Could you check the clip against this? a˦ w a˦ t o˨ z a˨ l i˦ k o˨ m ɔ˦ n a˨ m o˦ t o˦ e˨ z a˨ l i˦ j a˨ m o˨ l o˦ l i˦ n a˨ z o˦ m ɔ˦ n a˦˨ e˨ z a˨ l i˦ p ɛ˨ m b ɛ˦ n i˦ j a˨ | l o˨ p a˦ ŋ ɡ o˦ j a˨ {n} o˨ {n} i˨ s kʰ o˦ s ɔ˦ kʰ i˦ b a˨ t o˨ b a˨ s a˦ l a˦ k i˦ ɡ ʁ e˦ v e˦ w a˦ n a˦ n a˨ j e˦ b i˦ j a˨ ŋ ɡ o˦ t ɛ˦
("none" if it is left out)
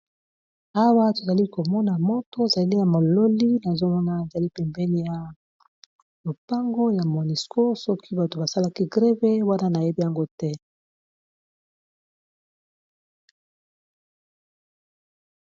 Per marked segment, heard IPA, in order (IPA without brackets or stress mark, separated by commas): m, n